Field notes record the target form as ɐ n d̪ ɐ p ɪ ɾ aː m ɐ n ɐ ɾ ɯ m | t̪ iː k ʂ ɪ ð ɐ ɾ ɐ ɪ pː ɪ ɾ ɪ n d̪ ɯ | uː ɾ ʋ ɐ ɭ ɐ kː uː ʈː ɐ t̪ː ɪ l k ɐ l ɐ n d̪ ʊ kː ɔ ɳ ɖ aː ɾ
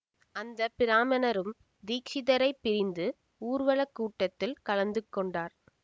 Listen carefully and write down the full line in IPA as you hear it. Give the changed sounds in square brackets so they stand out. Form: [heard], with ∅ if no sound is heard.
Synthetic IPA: ɐ n d̪ ɐ p ɪ ɾ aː m ɐ n ɐ ɾ ɯ m | [d̪] iː k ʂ ɪ ð ɐ ɾ ɐ ɪ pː ɪ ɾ ɪ n d̪ ɯ | uː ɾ ʋ ɐ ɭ ɐ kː uː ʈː ɐ t̪ː ɪ l k ɐ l ɐ n d̪ [ɯ] kː ɔ ɳ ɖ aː ɾ